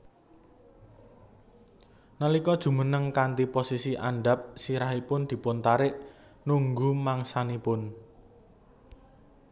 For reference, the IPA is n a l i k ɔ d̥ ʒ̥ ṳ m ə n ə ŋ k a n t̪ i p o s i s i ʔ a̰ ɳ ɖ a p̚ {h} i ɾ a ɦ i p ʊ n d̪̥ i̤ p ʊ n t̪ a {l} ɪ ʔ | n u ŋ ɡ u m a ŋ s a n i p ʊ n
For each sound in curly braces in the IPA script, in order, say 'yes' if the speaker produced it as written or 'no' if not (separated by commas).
no, no